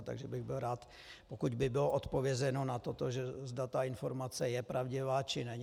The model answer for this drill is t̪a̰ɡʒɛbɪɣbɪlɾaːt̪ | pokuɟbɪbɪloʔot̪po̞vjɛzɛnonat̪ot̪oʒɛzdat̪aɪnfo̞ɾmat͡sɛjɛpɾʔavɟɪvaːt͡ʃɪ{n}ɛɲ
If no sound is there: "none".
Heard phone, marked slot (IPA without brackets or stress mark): n